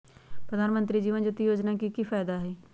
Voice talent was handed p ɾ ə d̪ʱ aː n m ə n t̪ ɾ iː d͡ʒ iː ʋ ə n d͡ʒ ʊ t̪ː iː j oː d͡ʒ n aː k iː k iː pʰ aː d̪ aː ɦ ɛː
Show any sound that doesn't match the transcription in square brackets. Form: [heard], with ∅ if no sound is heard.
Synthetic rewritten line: p ɾ ə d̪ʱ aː n m ə n t̪ ɾ iː d͡ʒ iː ʋ ə n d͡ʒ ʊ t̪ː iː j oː d͡ʒ n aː k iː k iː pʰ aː d̪ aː ɦ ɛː